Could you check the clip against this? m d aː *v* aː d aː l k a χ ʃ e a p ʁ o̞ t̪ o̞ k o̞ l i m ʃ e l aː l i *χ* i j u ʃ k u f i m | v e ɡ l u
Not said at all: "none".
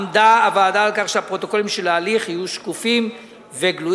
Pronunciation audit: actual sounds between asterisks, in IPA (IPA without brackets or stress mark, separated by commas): v, χ